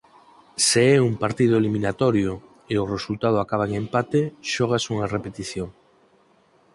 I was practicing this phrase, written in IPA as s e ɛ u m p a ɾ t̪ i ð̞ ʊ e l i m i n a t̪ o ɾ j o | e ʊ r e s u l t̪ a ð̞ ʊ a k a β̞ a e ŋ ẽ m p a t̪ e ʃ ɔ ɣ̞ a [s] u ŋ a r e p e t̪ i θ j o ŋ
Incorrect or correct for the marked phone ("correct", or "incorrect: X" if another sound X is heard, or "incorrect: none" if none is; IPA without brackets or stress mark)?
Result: correct